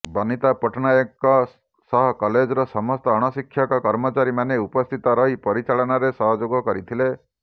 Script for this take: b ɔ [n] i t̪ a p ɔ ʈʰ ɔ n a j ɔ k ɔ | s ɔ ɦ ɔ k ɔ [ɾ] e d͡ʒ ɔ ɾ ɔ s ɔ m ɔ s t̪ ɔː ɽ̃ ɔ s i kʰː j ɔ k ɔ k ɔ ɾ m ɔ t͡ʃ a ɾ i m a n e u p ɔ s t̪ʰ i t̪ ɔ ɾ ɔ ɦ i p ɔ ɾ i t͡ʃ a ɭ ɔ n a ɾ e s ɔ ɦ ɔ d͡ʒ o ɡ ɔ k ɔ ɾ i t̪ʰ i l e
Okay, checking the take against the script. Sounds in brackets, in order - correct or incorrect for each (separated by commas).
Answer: correct, incorrect